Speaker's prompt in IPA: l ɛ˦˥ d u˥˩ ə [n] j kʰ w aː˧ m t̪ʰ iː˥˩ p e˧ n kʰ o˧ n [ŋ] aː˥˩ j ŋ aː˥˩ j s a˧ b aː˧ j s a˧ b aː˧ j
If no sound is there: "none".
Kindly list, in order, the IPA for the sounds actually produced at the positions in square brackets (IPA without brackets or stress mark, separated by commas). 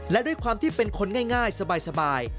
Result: none, ŋ